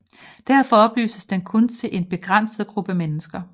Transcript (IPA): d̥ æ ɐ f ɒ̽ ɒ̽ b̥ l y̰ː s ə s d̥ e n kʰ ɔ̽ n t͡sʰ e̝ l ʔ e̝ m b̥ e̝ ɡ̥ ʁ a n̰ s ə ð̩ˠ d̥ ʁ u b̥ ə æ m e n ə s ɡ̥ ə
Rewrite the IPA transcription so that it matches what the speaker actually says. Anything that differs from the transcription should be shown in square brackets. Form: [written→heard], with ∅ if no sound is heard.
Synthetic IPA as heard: d̥ æ ɐ f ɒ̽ ɒ̽ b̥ l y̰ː s ə s d̥ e n kʰ ɔ̽ n t͡sʰ e̝ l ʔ e̝ [m→n] b̥ e̝ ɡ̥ ʁ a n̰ s ə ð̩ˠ [d̥→ɡ̥] ʁ u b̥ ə æ m e n ə s ɡ̥ [ə→ɐ]